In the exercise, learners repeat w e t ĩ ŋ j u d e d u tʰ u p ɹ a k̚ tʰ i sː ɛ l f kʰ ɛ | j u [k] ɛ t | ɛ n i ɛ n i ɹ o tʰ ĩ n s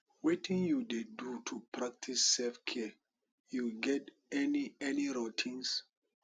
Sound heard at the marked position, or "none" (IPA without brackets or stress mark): ɡ